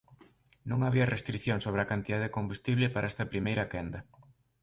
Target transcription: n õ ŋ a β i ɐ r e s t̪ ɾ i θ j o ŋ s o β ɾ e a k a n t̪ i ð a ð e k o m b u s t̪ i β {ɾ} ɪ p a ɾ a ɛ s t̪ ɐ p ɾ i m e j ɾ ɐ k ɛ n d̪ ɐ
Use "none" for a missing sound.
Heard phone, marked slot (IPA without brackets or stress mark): l